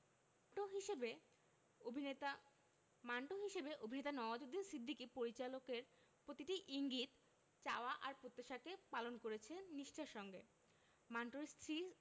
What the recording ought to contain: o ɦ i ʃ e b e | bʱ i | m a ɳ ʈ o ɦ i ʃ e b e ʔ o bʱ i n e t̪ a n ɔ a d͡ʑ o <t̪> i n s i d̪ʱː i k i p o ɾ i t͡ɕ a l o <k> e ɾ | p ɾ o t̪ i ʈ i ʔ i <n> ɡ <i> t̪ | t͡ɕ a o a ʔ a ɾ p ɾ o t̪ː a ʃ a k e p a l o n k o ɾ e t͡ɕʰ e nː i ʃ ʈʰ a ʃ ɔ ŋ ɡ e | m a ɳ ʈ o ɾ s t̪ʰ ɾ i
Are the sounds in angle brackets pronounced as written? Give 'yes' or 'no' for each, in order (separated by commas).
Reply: no, yes, no, yes